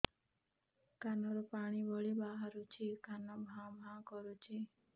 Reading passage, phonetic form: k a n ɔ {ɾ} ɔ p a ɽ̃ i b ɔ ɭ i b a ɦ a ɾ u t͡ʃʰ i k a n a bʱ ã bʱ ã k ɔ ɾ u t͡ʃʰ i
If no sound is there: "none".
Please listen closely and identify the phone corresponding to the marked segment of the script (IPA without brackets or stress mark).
ɾ